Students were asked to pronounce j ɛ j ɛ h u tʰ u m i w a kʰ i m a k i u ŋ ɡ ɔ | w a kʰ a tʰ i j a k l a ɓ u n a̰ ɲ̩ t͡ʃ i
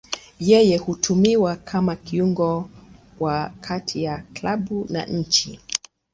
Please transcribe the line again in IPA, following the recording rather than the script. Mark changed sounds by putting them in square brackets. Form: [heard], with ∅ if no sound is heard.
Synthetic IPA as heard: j ɛ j ɛ h u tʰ u m i w a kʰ [a] m a k i u ŋ ɡ ɔ | w a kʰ a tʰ i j a k l a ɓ u n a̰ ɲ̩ t͡ʃ i